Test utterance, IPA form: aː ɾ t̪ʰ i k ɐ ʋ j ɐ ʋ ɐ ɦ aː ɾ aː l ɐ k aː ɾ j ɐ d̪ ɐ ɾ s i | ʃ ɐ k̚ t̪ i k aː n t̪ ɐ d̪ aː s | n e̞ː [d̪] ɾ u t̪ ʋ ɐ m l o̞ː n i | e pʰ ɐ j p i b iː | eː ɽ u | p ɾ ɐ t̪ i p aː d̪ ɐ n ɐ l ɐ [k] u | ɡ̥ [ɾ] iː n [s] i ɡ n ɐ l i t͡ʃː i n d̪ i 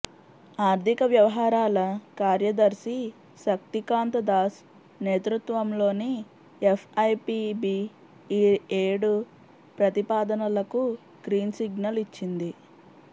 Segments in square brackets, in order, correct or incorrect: incorrect, correct, correct, correct

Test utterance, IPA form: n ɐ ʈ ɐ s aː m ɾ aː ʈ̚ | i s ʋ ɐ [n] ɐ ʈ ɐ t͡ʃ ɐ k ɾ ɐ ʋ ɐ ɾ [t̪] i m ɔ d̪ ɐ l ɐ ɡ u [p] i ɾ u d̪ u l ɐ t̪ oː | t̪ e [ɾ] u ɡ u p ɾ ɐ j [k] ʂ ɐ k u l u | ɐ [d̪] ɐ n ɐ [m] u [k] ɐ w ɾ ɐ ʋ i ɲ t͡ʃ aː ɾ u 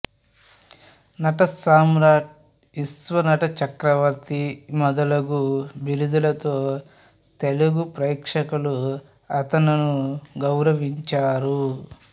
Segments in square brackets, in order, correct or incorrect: correct, correct, incorrect, incorrect, correct, incorrect, incorrect, incorrect

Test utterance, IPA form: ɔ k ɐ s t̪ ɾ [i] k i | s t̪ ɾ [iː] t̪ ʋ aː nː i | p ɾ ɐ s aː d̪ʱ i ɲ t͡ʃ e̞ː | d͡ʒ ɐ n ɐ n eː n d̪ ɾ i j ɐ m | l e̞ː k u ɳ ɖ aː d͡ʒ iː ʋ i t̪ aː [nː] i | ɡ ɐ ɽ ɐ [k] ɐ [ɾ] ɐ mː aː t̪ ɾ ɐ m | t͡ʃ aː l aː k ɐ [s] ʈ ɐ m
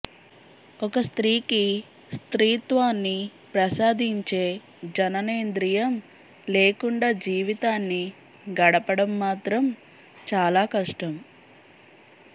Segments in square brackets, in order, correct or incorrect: incorrect, correct, correct, incorrect, incorrect, incorrect

